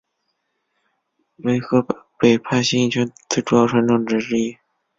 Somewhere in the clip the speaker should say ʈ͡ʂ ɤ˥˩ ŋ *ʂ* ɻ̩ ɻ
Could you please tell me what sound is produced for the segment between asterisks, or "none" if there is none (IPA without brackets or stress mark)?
ʈ͡ʂ